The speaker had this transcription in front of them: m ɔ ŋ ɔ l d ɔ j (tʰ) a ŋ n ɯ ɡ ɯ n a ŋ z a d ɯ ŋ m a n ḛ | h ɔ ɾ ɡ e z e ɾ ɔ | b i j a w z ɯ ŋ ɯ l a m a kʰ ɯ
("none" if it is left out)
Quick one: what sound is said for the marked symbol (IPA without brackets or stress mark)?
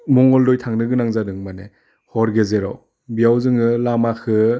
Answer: tʰ